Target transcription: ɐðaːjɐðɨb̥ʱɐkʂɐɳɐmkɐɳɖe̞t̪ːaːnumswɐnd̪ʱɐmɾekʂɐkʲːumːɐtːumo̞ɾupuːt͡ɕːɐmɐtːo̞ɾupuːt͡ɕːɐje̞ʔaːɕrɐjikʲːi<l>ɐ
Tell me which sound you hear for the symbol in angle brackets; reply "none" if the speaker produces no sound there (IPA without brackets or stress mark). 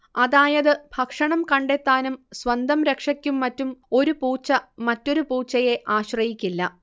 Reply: lː